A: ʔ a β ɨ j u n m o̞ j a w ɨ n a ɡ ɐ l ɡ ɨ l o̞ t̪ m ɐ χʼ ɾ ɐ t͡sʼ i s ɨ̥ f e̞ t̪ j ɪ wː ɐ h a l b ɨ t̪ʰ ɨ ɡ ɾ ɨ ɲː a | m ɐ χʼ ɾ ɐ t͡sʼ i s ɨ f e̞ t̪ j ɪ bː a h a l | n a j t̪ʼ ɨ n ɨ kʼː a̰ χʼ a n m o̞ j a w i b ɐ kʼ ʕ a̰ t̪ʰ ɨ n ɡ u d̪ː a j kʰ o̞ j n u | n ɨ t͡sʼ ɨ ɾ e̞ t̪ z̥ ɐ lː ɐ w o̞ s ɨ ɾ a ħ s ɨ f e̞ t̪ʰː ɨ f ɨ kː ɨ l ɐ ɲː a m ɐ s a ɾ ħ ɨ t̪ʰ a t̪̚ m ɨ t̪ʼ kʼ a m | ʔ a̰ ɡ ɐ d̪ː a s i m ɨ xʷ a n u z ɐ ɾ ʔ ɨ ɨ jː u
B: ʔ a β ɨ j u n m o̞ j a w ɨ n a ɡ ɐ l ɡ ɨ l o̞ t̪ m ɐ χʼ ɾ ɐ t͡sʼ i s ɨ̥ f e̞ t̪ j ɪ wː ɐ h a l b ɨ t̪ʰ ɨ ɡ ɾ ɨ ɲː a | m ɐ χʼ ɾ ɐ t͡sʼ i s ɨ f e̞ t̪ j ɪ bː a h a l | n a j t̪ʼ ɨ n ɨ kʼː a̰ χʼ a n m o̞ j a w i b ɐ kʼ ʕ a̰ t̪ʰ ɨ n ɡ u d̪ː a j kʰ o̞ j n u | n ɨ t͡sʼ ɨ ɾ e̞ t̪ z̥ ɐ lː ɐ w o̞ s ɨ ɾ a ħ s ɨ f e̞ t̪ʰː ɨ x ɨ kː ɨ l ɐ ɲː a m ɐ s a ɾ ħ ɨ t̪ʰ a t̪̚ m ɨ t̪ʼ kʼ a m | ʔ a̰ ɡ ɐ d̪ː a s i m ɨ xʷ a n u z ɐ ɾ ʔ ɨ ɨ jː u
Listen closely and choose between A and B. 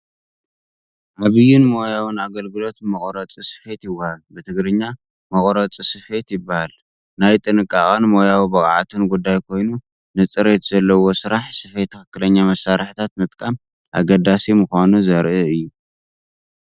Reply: B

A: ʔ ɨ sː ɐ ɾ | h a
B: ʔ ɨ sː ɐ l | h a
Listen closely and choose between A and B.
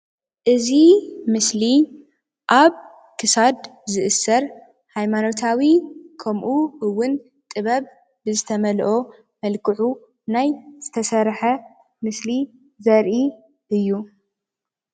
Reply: A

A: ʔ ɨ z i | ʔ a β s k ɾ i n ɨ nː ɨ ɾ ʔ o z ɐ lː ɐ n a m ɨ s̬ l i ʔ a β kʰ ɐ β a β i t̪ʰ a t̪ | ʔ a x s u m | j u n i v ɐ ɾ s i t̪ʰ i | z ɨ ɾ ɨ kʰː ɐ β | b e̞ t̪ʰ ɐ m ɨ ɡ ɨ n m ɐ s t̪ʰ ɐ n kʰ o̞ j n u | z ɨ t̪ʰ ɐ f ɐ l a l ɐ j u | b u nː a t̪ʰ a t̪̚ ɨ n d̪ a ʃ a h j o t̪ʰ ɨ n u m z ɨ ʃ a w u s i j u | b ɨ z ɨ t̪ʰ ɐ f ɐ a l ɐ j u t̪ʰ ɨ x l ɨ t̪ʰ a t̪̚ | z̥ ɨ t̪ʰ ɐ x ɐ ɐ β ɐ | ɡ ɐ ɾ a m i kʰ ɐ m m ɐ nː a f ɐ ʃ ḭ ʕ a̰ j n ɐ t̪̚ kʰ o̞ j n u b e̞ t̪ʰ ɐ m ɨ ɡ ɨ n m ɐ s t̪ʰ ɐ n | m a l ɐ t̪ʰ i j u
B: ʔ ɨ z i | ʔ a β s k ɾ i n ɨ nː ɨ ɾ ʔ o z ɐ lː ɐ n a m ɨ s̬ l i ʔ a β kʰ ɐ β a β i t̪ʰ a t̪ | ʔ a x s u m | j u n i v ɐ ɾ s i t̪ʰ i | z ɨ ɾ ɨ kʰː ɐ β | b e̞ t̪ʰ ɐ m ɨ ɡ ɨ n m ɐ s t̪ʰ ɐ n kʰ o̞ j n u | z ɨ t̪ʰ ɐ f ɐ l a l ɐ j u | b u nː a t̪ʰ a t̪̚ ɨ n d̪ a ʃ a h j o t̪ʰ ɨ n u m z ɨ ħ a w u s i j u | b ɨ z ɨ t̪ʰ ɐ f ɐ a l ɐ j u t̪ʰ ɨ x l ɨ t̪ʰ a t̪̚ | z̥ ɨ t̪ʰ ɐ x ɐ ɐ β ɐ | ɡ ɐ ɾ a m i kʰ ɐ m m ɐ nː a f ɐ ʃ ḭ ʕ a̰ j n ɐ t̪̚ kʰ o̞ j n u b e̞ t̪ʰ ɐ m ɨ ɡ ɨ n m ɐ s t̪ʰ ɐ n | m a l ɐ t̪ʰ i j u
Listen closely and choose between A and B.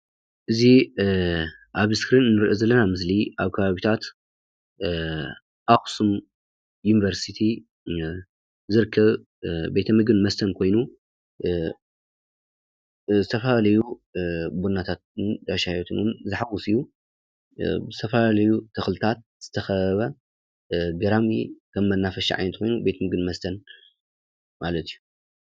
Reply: B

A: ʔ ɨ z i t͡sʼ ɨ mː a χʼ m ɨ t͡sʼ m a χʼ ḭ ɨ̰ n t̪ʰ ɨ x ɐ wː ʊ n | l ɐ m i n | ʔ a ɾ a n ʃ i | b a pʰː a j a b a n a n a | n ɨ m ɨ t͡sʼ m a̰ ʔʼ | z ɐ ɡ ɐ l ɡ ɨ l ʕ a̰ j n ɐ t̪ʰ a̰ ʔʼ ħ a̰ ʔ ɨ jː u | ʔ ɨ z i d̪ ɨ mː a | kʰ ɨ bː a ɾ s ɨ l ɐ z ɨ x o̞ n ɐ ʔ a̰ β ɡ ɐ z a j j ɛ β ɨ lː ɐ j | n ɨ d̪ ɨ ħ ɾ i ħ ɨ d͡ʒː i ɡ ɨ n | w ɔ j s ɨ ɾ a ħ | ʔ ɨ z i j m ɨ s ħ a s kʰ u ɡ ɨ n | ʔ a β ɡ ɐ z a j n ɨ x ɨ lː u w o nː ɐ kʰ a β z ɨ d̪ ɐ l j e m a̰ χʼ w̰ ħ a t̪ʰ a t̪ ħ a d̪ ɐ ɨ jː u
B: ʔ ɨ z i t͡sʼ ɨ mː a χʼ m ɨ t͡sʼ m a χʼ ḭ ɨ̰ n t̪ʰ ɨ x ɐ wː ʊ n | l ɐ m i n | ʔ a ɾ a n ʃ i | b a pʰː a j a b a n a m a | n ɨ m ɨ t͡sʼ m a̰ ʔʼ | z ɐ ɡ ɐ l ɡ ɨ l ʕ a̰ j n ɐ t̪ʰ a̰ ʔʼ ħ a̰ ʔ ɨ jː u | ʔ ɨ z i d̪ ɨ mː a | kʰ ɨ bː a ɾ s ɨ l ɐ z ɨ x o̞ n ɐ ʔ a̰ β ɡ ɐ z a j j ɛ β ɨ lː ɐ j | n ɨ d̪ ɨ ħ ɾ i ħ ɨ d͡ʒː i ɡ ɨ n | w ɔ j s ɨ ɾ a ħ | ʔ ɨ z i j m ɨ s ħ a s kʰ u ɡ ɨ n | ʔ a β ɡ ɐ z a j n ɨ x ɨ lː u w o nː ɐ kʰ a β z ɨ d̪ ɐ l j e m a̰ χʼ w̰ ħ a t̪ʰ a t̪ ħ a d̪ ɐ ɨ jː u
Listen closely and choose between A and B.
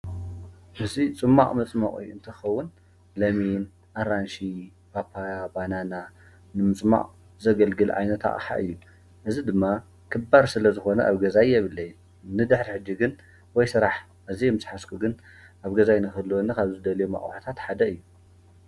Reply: A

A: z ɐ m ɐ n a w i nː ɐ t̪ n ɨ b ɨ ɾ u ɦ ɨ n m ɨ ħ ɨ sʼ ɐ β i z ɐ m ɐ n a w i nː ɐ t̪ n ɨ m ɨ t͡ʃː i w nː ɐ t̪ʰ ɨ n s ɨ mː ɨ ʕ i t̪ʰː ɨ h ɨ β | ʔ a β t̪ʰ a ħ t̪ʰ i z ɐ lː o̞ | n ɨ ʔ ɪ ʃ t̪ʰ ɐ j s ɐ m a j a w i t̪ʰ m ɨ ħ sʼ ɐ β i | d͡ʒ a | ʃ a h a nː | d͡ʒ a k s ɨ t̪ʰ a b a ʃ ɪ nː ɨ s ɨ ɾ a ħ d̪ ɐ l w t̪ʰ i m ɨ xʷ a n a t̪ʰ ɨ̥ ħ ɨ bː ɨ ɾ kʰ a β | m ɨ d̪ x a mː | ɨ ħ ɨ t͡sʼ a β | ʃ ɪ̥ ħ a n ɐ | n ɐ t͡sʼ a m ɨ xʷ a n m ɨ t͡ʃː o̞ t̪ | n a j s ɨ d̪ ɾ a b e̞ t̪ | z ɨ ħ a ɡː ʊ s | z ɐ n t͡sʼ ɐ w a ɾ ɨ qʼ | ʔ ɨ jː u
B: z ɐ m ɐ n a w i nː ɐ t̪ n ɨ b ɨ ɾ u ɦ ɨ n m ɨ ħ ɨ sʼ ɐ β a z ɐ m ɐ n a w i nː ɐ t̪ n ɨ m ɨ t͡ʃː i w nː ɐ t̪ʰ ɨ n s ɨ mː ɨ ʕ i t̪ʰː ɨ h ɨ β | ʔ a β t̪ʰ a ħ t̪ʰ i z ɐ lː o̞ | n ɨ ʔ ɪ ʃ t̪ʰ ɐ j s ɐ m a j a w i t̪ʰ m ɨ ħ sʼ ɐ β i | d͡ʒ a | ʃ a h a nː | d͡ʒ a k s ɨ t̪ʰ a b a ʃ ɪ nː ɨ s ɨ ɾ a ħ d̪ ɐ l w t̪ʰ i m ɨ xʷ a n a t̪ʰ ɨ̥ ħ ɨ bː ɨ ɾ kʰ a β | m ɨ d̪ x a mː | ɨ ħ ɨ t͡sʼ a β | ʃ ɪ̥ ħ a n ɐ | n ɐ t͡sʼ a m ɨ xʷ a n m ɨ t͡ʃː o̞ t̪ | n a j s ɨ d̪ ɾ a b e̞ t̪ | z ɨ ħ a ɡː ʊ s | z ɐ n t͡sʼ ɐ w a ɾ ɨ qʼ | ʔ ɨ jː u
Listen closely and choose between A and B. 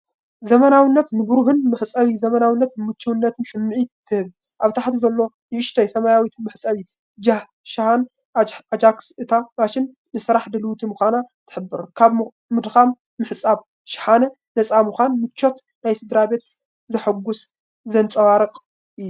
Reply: A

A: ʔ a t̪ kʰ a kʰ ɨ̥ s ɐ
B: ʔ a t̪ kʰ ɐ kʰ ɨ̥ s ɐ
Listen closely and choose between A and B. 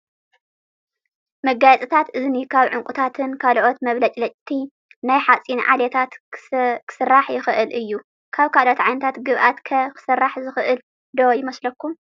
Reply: B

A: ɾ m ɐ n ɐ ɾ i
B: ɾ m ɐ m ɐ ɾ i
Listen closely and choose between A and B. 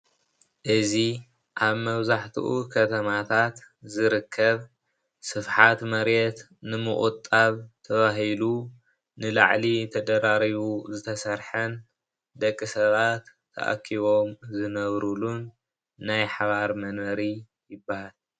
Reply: A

